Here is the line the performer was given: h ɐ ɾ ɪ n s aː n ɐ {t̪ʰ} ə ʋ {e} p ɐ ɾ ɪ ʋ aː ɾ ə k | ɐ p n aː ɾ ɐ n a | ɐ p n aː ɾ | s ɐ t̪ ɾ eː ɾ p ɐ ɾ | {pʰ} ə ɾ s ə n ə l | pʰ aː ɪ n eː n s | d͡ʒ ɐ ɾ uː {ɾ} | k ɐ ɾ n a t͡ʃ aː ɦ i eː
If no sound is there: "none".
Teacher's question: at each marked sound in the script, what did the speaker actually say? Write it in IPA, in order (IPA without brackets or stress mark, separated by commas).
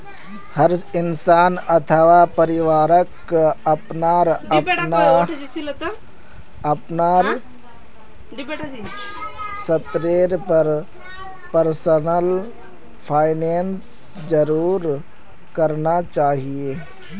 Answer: t̪ʰ, a, p, ɾ